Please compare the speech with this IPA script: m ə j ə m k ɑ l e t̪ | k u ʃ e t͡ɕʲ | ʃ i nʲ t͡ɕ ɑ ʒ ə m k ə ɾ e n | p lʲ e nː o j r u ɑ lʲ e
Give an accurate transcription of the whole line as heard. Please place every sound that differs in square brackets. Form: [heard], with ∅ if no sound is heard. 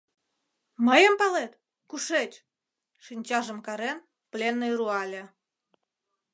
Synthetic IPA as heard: m ə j ə m [p] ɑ l e t̪ | k u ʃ e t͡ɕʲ | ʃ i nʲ t͡ɕ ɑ ʒ ə m k [ɑ] ɾ e n | p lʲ e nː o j r u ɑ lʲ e